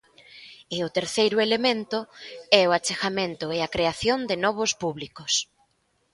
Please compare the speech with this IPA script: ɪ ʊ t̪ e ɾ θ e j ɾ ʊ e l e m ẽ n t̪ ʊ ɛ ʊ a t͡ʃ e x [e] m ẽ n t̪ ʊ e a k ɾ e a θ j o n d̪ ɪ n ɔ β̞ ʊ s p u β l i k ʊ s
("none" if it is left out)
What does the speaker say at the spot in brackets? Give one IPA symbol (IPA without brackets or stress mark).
a